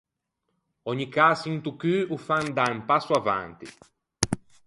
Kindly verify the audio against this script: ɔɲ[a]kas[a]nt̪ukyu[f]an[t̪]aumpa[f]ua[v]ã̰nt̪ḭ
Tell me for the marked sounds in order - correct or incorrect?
incorrect, incorrect, correct, incorrect, incorrect, correct

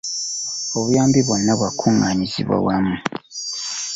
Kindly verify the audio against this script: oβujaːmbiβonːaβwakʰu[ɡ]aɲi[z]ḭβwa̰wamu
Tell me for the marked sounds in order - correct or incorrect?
incorrect, correct

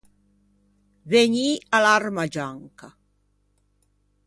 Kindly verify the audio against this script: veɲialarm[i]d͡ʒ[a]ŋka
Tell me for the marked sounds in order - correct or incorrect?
incorrect, correct

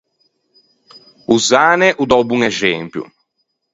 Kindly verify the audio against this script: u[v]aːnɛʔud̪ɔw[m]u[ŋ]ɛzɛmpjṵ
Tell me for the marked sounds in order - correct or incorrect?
incorrect, incorrect, correct

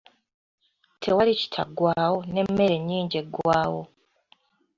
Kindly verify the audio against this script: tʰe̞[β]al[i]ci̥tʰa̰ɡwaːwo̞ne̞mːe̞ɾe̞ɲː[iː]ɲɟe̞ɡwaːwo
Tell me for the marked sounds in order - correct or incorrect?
incorrect, correct, correct

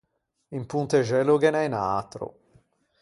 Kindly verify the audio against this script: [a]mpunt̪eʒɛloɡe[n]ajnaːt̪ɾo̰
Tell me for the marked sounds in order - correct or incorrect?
incorrect, correct

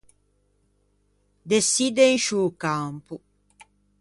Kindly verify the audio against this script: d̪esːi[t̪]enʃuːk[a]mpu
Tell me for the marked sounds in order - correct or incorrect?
incorrect, correct

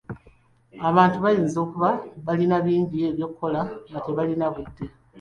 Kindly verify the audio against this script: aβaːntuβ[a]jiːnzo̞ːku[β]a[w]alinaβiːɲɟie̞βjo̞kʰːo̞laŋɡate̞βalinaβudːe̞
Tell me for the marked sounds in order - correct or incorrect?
correct, correct, incorrect

